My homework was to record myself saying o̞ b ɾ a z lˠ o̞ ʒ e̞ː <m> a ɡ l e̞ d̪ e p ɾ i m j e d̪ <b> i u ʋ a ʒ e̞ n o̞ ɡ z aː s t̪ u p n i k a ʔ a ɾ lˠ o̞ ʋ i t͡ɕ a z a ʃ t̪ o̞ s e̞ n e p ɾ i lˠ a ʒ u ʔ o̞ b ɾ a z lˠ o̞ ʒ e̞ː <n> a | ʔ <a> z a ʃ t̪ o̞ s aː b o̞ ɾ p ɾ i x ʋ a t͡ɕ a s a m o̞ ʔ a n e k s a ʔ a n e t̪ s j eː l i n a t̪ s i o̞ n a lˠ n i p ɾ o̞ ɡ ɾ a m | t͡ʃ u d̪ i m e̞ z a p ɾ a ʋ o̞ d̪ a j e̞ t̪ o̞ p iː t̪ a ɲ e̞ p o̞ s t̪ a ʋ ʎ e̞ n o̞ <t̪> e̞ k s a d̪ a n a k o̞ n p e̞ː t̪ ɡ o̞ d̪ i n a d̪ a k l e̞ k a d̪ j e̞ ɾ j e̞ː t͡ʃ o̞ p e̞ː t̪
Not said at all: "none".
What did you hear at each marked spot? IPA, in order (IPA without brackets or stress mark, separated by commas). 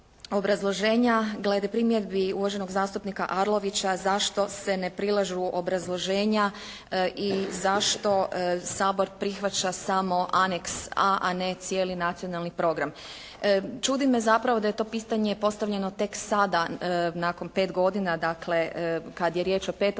ɲ, b, ɲ, i, t̪